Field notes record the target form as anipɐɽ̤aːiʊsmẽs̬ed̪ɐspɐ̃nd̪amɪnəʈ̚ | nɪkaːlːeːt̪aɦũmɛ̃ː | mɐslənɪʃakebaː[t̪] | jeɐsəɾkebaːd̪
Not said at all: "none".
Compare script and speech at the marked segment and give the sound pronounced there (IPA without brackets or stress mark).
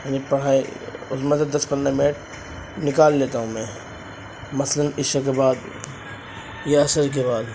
d̪